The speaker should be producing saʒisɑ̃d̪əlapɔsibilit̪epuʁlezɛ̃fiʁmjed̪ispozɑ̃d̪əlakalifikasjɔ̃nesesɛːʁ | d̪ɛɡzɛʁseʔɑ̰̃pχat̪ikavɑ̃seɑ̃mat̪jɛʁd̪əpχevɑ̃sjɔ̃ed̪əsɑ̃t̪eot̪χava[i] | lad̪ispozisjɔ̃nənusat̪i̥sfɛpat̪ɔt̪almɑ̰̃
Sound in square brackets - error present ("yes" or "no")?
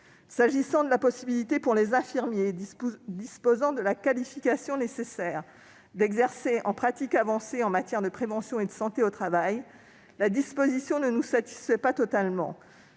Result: yes